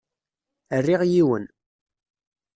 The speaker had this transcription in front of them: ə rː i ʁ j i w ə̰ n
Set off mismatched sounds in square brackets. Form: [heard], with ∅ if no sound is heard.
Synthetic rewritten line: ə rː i ʁ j i w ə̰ n